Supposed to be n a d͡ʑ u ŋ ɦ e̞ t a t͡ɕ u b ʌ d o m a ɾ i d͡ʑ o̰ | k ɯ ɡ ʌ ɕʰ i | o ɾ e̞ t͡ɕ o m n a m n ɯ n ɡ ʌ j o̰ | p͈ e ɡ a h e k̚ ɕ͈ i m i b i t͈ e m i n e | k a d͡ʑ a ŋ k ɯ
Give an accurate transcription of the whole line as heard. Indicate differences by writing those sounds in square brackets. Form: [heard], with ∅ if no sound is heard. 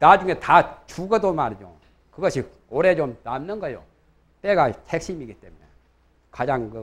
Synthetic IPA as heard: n a d͡ʑ u ŋ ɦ e̞ t a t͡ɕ u [ɡ] ʌ d o m a ɾ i d͡ʑ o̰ | k ɯ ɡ ʌ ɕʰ i | o ɾ e̞ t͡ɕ o m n a m n ɯ n ɡ ʌ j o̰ | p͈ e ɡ a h e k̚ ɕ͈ i m i [ɡ] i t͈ e m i n e | k a d͡ʑ a ŋ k ɯ